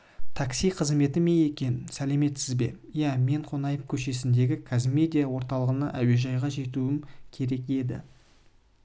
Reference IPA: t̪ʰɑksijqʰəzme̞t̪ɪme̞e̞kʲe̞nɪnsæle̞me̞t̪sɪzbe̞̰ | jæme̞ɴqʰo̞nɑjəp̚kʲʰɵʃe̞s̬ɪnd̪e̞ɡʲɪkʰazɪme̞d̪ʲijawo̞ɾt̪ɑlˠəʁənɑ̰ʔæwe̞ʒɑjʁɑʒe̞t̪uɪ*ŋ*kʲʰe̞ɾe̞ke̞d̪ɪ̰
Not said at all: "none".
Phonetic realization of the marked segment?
m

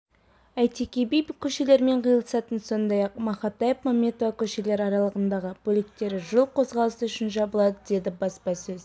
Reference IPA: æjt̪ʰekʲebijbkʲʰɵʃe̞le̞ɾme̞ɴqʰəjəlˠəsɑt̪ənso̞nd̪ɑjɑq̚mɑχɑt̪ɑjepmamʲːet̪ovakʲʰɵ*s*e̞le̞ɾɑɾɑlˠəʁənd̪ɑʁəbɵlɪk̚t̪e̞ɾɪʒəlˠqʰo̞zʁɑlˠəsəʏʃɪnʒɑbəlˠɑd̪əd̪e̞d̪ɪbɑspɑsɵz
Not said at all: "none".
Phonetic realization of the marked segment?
ʃ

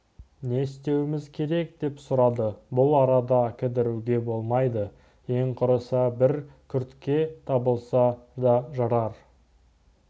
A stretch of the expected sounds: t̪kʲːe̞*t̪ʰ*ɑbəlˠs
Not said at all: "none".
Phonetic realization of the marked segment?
t̪ʰ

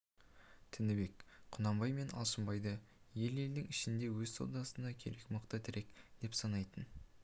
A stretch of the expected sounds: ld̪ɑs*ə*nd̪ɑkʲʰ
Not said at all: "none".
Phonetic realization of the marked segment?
ə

